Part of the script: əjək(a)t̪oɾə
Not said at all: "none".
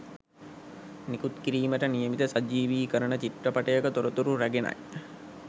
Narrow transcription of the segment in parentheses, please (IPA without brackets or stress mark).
ə